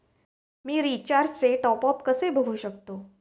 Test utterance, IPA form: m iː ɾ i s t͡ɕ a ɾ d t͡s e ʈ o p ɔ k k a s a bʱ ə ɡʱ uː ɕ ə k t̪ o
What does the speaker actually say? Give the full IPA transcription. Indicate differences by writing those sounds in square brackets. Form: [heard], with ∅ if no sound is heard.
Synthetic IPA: m iː ɾ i [∅] t͡ɕ a ɾ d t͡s e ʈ [ɔ] p ɔ [p] k [ə] s [e] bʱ ə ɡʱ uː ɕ ə k t̪ o